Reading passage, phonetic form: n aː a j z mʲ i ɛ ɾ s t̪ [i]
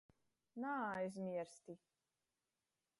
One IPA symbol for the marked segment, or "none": i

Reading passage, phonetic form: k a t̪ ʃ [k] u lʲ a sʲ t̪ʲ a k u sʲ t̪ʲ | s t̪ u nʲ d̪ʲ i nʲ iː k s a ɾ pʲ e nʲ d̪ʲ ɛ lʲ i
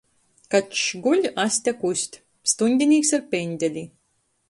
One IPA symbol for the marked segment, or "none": ɡ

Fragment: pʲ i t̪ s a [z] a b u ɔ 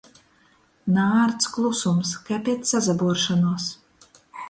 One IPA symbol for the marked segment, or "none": z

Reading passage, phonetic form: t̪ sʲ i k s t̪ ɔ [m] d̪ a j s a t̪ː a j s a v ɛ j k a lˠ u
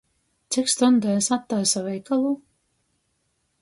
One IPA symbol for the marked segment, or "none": n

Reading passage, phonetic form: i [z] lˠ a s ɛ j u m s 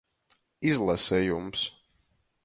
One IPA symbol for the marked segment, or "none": z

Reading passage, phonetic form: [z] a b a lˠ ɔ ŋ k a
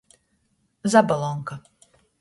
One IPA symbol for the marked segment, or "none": z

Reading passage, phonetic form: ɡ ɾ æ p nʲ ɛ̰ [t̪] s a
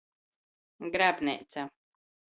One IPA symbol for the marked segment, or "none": t̪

